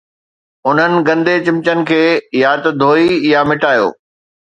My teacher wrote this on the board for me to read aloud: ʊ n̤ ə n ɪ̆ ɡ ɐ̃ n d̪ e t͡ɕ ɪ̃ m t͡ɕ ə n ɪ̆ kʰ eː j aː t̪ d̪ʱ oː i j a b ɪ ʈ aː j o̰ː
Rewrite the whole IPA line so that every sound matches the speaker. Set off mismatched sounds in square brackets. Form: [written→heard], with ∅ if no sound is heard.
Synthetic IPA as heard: ʊ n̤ ə n ɪ̆ ɡ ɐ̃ n d̪ e t͡ɕ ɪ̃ m t͡ɕ ə n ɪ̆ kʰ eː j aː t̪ d̪ʱ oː i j a [b→m] ɪ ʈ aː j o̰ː